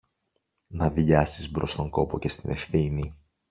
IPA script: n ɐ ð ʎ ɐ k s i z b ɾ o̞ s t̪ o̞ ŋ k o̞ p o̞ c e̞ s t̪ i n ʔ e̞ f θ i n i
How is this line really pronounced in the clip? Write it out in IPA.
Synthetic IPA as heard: n ɐ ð ʎ ɐ s i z b ɾ o̞ s t̪ o̞ ŋ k o̞ p o̞ c e̞ s t̪ i n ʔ e̞ f θ i n i